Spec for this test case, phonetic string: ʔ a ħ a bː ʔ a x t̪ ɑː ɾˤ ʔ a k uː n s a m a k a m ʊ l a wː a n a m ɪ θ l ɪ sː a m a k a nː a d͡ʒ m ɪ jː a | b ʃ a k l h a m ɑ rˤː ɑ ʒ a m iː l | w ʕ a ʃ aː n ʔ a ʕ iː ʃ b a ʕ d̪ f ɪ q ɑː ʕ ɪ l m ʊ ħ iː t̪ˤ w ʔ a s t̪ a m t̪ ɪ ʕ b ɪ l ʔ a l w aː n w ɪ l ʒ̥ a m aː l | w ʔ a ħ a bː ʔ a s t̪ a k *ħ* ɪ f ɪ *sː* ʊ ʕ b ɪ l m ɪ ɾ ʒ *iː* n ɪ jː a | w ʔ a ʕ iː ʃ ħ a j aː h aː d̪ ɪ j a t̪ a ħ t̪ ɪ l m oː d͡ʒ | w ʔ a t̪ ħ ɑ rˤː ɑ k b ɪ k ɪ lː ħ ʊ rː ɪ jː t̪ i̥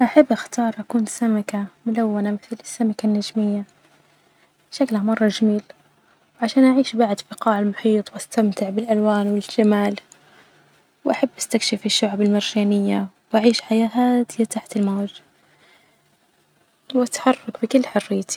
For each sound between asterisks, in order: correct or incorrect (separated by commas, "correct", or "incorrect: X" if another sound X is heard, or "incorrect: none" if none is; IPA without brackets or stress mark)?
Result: incorrect: ʃ, incorrect: ʃː, incorrect: aː